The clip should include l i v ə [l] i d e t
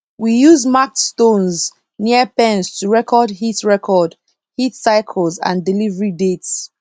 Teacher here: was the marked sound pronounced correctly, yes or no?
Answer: no